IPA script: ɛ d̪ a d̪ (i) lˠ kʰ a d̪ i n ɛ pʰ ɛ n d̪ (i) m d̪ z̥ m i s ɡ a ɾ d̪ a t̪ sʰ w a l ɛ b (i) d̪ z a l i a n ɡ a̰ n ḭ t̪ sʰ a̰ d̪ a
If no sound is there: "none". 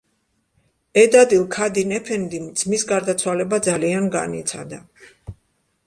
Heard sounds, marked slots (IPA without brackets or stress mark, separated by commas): i, i, a